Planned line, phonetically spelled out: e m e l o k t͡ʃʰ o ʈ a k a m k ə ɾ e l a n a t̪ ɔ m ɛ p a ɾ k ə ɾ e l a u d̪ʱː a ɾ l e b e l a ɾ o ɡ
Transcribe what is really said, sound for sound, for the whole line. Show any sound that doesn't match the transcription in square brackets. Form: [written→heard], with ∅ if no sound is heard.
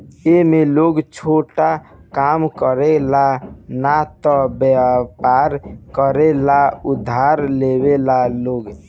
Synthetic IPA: e m e l o [k→ɡ] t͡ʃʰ o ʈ a k a m k ə ɾ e l a n a t̪ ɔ [m→b] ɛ p a ɾ k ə ɾ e l a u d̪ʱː a ɾ l e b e l a [ɾ→l] o ɡ

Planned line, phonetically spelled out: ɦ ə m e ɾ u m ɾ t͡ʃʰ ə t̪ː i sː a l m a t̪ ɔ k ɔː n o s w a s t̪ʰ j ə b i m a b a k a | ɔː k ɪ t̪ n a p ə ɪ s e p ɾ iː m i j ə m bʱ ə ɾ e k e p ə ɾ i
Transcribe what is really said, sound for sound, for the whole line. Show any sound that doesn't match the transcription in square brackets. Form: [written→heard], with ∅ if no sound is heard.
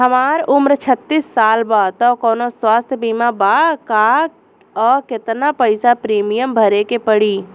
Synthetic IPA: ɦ ə m [e→a] ɾ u m ɾ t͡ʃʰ ə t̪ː i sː a l [m→b] a t̪ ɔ k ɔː n o s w a s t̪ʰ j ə b i m a b a k a | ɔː k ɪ t̪ n a p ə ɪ s [e→a] p ɾ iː m i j ə m bʱ ə ɾ e k e p ə [ɾ→ɽ] i

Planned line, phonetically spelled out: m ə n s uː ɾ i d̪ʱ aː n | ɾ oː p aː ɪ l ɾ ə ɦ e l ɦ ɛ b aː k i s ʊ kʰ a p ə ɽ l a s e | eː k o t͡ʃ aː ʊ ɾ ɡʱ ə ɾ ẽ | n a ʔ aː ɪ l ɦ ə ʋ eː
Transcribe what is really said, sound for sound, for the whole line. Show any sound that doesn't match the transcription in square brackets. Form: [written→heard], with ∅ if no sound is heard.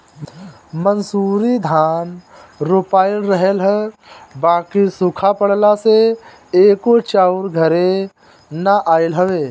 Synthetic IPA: m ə n s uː ɾ i d̪ʱ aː n | ɾ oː p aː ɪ l ɾ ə ɦ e l ɦ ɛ b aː k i s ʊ kʰ a p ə ɽ l a s e | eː k o t͡ʃ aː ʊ ɾ ɡʱ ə ɾ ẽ | n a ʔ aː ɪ l ɦ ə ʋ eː

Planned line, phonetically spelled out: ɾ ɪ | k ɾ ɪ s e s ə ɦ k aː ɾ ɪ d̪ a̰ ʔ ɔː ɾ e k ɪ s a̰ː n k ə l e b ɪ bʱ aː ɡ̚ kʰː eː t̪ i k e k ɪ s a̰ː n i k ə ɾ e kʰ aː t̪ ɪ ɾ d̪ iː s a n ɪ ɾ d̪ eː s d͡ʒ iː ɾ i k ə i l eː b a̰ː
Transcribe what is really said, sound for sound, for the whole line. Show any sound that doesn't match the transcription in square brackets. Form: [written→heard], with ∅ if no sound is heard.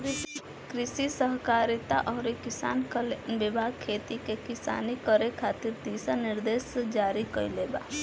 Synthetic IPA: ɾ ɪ | k ɾ ɪ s [e→i] s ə ɦ k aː ɾ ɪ [d̪→t̪] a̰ ʔ ɔː ɾ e k ɪ s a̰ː n k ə l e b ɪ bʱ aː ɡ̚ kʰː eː t̪ i k e k ɪ s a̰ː n i k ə ɾ e kʰ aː t̪ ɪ ɾ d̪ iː s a n ɪ ɾ d̪ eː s d͡ʒ [iː→aː] ɾ i k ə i l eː b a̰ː

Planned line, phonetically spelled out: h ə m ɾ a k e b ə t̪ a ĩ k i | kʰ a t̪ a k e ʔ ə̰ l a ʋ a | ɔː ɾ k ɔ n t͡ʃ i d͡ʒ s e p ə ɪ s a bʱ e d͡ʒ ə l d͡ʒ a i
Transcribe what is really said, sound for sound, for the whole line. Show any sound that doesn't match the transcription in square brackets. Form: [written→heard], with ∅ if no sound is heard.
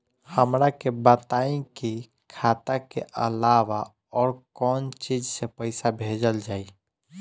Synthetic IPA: h ə m ɾ a k e b ə t̪ a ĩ k i | kʰ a t̪ a k e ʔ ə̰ l a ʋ a | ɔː ɾ k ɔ n t͡ʃ i d͡ʒ s e p ə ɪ s a bʱ e d͡ʒ ə l d͡ʒ a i

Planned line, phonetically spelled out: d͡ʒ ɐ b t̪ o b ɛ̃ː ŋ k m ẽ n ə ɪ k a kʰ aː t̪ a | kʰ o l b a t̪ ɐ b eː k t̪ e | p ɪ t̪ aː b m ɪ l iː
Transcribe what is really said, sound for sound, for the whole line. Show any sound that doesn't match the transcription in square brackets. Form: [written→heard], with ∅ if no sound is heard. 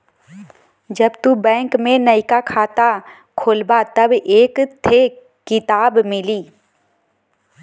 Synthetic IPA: d͡ʒ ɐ b t̪ [o→u] b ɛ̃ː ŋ k m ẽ n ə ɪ k a kʰ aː t̪ a | kʰ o l b a t̪ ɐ b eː k [t̪→t̪ʰ] e | [p→k] ɪ t̪ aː b m ɪ l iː

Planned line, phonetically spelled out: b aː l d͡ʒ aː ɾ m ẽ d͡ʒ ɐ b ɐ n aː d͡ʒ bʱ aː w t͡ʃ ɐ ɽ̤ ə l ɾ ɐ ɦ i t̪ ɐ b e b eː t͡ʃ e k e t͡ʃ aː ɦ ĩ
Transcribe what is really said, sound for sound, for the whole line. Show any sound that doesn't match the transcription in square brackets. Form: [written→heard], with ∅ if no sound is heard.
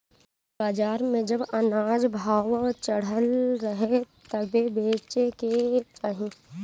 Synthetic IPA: b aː [l→∅] d͡ʒ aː ɾ m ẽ d͡ʒ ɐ b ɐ n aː d͡ʒ bʱ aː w t͡ʃ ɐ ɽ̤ ə l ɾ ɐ ɦ [i→e] t̪ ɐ b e b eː t͡ʃ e k e t͡ʃ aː ɦ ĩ

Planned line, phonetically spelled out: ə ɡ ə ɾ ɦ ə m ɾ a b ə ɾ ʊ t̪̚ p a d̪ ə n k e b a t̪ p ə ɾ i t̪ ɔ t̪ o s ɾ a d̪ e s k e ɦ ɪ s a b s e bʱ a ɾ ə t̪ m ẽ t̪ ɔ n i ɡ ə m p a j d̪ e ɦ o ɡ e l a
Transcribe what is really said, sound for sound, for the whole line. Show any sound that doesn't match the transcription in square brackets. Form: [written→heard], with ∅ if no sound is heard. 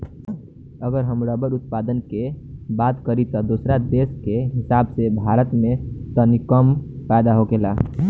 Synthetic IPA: ə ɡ ə ɾ ɦ ə m ɾ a b ə ɾ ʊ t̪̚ p a d̪ ə n k e b a t̪ [p→k] ə ɾ i t̪ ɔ [t̪→d̪] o s ɾ a d̪ e s k e ɦ ɪ s a b s e bʱ a ɾ ə t̪ m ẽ t̪ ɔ n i [ɡ→k] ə m p a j d̪ [e→a] ɦ o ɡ e l a

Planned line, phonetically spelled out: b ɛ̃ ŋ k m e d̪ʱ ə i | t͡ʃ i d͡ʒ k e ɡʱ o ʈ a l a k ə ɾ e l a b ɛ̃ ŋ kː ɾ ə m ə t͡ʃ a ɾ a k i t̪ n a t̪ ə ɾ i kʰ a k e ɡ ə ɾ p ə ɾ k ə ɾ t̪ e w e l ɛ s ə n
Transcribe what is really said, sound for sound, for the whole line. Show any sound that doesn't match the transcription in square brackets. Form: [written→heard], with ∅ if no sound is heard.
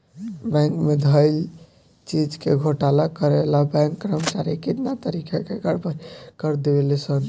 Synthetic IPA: b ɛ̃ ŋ k m e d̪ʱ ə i | t͡ʃ i d͡ʒ k e ɡʱ o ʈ a l a k ə ɾ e l a b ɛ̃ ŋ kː ɾ ə m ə t͡ʃ a ɾ [a→i] k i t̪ n a t̪ ə ɾ i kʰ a k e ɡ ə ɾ p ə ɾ k ə ɾ [t̪→d̪] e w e l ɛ s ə n

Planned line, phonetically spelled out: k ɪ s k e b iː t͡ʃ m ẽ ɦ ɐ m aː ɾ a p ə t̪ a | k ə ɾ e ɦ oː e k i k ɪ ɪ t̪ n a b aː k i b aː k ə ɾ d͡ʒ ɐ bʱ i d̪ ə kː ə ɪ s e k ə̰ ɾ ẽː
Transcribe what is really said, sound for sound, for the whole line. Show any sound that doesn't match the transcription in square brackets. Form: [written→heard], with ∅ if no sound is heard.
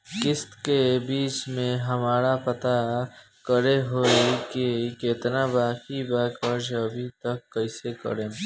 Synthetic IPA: k ɪ s k e b iː t͡ʃ m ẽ ɦ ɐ m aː ɾ a p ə t̪ a | k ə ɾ e ɦ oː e k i k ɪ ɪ t̪ n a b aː k i b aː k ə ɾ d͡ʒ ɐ bʱ i [d̪→t̪] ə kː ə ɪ s e k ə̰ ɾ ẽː

